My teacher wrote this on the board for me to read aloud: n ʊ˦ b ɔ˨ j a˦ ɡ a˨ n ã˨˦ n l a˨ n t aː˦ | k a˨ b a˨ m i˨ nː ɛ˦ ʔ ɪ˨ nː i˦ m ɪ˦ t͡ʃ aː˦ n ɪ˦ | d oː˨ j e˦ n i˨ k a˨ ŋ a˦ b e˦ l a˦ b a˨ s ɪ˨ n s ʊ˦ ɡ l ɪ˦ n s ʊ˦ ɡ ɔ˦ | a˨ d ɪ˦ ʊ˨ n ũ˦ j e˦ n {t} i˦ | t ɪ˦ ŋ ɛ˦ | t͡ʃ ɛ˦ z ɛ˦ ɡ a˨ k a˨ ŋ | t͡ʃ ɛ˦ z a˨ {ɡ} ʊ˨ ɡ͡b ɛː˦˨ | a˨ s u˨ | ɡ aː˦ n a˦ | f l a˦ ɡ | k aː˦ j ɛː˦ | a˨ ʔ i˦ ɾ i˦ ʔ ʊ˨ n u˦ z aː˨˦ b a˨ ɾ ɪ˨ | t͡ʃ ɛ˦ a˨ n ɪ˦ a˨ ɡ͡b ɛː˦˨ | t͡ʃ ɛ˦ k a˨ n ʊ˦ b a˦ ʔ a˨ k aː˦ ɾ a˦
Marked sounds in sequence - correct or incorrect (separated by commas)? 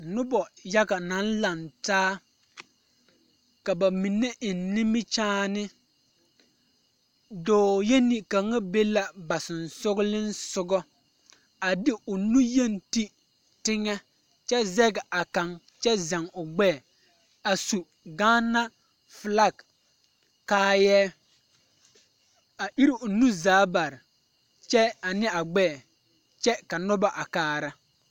correct, incorrect